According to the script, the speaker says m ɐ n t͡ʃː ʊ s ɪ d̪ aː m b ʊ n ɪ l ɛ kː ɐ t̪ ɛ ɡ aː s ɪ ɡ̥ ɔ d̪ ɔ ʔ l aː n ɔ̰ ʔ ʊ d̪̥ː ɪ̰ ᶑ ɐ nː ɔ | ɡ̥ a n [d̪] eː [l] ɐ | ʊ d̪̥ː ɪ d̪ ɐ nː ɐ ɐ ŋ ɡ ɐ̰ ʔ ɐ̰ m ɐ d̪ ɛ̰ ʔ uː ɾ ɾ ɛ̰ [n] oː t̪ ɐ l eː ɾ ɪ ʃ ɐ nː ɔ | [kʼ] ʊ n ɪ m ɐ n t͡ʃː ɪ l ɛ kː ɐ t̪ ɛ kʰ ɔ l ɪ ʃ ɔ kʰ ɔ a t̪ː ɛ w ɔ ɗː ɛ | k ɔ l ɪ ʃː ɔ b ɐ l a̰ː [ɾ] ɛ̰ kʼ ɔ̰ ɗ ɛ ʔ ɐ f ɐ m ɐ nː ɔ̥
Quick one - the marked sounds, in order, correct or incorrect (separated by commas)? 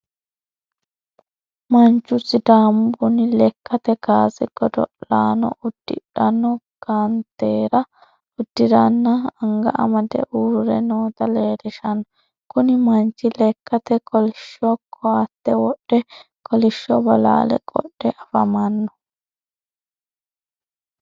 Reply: incorrect, incorrect, correct, incorrect, incorrect